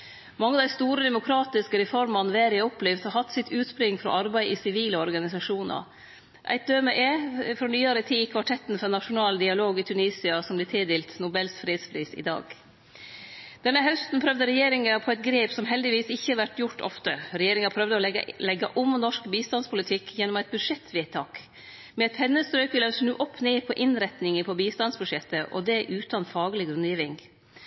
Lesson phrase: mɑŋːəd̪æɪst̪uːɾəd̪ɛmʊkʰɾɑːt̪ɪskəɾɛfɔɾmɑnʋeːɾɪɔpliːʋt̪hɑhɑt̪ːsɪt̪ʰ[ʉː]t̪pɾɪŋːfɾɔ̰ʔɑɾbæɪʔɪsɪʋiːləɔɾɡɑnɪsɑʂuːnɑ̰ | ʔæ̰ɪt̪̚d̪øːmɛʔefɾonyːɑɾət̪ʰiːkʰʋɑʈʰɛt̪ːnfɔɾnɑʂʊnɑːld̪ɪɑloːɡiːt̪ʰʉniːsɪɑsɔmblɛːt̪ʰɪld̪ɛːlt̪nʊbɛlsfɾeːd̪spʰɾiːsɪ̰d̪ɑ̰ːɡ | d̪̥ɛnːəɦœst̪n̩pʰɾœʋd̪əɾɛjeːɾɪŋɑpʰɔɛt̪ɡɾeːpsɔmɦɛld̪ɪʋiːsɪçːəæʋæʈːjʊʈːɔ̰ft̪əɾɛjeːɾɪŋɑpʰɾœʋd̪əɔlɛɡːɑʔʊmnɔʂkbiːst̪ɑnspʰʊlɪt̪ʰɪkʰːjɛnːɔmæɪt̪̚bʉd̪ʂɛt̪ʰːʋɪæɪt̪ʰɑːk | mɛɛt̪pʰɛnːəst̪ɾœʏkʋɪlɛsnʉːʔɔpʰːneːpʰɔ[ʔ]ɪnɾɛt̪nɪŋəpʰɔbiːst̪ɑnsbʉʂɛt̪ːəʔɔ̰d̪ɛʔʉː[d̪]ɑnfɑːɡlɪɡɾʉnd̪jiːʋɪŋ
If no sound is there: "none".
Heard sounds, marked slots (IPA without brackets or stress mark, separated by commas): ʉː, ʔ, t̪